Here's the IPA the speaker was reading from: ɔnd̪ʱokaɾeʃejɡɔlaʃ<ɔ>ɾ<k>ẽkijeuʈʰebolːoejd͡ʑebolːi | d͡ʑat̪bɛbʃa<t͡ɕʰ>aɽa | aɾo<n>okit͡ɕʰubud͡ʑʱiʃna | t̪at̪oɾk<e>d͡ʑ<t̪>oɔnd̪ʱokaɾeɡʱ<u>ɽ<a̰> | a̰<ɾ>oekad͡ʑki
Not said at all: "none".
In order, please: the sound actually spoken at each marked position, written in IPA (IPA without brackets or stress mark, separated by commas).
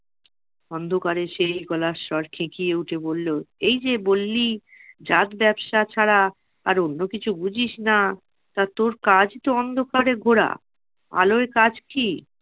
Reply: ɔ, kʰ, t͡ɕʰ, nː, a, t̪, o, a̰, l